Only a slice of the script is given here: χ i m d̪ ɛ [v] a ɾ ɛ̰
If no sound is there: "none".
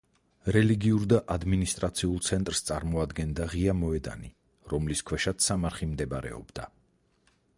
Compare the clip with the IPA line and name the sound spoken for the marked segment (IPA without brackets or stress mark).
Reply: b